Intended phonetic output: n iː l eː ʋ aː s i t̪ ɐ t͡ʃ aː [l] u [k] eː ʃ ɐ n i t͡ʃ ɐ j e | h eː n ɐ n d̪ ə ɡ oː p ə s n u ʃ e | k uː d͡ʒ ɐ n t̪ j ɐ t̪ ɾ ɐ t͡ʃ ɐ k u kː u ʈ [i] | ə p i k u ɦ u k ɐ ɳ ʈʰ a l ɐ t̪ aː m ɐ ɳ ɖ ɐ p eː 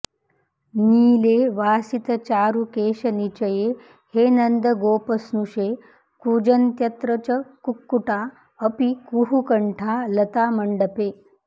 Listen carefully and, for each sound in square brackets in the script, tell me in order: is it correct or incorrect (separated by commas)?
incorrect, correct, incorrect